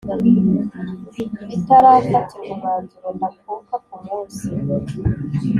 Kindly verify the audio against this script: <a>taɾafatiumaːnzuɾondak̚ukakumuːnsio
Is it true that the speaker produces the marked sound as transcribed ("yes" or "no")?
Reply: no